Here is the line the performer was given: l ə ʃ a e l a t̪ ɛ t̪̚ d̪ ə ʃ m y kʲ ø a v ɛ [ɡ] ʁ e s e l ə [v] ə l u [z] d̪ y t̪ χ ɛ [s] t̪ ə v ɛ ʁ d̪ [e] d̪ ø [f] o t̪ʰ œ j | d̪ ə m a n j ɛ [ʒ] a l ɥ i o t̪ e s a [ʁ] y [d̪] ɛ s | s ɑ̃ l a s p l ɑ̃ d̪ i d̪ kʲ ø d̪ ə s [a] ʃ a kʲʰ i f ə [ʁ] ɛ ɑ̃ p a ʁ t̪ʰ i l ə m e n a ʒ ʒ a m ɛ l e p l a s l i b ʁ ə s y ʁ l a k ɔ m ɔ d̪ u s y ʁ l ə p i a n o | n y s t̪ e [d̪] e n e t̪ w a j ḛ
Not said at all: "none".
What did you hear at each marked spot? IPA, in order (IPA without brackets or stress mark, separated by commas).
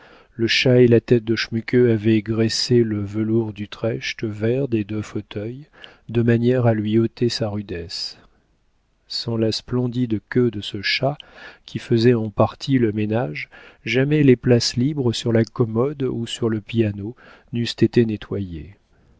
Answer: ɡ, v, ʁ, ʃ, e, f, ʁ, ʁ, d̪, ə, z, t̪